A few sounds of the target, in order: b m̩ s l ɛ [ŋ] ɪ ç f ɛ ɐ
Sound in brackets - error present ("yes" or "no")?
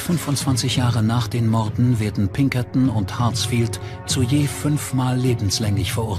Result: no